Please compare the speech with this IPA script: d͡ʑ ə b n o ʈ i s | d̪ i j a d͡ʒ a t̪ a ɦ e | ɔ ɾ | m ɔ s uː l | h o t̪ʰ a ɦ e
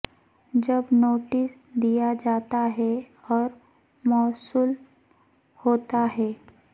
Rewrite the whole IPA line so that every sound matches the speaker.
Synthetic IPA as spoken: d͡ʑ ə b n o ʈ i s | d̪ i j a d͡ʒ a t̪ a ɦ e | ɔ ɾ | m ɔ s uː l | h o t̪ a ɦ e

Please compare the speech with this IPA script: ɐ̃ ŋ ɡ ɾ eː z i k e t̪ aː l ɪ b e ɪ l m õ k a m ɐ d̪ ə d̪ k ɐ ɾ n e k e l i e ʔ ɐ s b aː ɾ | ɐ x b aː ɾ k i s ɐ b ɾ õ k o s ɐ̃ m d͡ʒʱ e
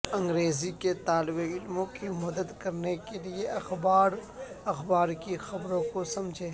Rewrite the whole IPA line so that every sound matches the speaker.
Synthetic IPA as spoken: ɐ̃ ŋ ɡ ɾ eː z i k e t̪ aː l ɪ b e ɪ l m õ k i m ɐ d̪ ə d̪ k ɐ ɾ n e k e l i e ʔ ɐ x b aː ɾ | ɐ x b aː ɾ k i x ɐ b ɾ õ k o s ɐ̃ m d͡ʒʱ e

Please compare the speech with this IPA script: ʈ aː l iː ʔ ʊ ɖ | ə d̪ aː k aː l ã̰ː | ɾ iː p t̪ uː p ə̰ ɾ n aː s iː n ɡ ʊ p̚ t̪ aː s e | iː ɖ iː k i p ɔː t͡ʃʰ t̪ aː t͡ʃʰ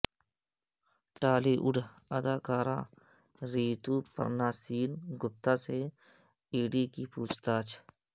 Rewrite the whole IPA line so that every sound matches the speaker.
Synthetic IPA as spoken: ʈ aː l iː ʔ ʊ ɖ | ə d̪ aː k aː ɾ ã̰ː | ɾ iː t̪ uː p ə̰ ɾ n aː s iː n ɡ ʊ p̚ t̪ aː s e | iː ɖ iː k i p uː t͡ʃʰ t̪ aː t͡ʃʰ

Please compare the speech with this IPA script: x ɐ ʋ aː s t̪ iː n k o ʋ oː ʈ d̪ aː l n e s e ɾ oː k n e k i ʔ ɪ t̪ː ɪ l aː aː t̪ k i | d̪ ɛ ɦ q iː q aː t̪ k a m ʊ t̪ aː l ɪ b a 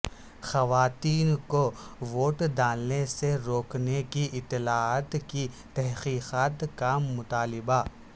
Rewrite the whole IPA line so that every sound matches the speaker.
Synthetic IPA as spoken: x ɐ ʋ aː t̪ iː n k o ʋ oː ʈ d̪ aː l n e s e ɾ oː k n e k i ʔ ɪ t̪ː ɪ l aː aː t̪ k i | t̪ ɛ ɦ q iː q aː t̪ k a m ʊ t̪ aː l ɪ b a

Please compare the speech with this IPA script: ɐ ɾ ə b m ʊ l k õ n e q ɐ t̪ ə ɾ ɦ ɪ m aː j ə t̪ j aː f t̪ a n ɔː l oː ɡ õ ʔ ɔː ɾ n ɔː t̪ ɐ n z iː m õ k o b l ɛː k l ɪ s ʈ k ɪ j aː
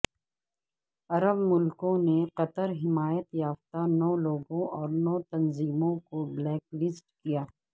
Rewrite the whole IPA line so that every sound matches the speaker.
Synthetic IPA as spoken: ɐ ɾ ə b m ʊ l k õ n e q ɐ t̪ ə ɾ ɦ ɪ m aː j ə t̪ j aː f t̪ a n ɔː l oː ɡ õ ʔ ɔː ɾ n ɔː t̪ ɐ n z iː m õ k o b l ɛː k l ɪ s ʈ k i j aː

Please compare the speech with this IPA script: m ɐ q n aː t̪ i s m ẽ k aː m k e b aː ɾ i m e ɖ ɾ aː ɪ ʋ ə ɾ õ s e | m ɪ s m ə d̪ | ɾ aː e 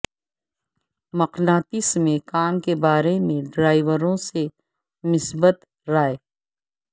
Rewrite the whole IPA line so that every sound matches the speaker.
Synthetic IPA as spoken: m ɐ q n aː t̪ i s m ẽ k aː m k e b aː ɾ e m ẽ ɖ ɾ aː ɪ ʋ ə ɾ õ s e | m ɪ s b ə t̪ | ɾ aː e

